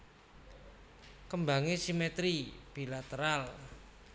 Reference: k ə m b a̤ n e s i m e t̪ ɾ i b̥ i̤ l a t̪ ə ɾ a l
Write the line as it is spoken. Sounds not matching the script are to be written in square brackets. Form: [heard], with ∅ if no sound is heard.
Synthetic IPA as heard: k ə m b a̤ [ŋ] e s i m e t̪ ɾ i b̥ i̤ l a t̪ ə ɾ a l